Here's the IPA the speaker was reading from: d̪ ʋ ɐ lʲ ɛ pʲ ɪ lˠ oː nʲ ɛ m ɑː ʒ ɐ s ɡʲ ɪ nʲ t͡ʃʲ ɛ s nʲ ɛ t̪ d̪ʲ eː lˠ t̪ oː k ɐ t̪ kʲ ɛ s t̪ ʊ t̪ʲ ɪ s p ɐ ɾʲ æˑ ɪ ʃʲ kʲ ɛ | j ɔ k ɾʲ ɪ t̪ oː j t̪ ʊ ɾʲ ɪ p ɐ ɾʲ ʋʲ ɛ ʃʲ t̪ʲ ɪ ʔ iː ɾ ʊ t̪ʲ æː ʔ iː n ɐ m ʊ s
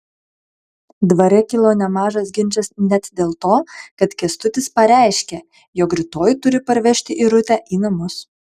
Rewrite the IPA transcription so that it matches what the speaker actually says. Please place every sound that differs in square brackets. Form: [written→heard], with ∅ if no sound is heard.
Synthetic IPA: d̪ ʋ ɐ [lʲ→ɾʲ] ɛ [pʲ→kʲ] ɪ lˠ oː nʲ ɛ m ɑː ʒ ɐ s ɡʲ ɪ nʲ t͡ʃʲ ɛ s nʲ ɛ t̪ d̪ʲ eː lˠ t̪ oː k ɐ t̪ kʲ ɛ s t̪ ʊ t̪ʲ ɪ s p ɐ ɾʲ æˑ ɪ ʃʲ kʲ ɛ | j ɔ k ɾʲ ɪ t̪ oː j t̪ ʊ ɾʲ ɪ p ɐ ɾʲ ʋʲ ɛ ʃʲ t̪ʲ ɪ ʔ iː ɾ ʊ t̪ʲ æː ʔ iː n ɐ m ʊ s